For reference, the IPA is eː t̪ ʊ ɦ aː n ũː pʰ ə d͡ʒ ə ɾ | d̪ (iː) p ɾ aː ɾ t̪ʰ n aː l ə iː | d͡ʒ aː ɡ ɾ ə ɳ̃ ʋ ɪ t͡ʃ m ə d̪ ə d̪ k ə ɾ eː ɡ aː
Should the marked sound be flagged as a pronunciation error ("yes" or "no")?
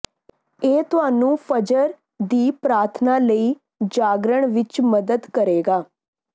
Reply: no